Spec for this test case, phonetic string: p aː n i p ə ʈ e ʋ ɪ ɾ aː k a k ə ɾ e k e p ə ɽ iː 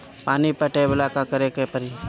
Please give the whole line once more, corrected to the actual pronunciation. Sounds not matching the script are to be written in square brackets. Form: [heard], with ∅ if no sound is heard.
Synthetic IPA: p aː n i p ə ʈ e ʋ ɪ [l] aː k a k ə ɾ e k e p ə [ɾ] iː